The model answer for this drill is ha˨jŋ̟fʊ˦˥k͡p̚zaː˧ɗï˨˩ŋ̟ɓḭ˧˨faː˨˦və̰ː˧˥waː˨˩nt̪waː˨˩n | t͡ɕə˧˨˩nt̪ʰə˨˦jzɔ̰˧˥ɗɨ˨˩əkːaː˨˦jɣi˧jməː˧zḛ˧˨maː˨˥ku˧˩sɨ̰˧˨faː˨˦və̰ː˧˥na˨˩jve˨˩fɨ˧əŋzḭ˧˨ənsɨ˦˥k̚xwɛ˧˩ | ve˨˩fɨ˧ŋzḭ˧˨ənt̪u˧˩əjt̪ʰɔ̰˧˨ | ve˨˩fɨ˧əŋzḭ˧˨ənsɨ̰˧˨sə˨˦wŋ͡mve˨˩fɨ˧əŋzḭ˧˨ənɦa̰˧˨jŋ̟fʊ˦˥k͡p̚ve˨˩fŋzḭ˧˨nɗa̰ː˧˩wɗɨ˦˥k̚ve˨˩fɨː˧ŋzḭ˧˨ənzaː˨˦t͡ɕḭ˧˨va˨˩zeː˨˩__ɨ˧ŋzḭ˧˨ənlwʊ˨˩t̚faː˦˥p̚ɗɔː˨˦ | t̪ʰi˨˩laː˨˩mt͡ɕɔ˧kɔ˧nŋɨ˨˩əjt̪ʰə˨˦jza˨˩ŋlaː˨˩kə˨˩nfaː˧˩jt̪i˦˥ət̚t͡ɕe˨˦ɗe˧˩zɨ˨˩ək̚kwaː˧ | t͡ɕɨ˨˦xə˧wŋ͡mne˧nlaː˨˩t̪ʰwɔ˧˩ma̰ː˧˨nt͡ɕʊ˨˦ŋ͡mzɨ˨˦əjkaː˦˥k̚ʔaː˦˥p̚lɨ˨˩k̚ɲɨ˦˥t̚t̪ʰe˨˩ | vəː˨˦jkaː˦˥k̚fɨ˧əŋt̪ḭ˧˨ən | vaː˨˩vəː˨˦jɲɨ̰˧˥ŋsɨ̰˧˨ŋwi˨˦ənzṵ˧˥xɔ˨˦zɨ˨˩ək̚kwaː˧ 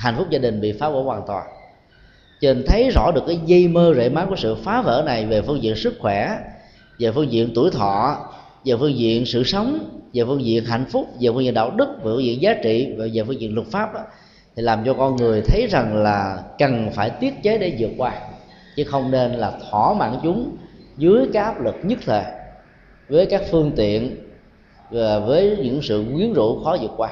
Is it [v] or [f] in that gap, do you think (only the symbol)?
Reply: f